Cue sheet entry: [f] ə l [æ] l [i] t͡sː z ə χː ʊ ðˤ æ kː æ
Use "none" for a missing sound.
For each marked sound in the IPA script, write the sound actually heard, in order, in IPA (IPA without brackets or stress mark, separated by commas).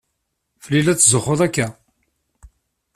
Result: f, i, æ